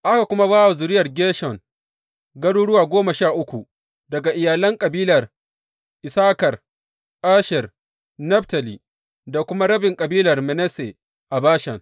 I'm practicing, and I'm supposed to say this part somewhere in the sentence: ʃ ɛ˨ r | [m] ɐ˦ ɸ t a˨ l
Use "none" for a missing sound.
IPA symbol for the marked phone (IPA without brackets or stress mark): n